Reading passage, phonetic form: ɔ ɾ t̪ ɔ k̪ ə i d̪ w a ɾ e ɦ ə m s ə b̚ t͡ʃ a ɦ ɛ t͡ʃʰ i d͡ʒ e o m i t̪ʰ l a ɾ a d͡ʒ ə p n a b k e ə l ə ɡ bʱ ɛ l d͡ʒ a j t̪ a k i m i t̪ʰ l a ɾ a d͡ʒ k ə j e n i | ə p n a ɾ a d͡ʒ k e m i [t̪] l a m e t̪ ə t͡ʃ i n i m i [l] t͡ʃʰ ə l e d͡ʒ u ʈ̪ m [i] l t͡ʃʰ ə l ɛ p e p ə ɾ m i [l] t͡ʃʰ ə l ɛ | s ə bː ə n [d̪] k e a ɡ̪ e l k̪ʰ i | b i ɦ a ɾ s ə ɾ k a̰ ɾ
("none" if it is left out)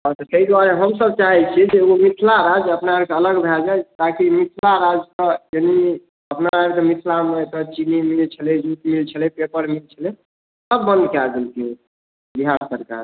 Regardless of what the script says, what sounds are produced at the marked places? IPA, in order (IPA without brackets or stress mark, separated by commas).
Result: t̪ʰ, l, i, l, d̪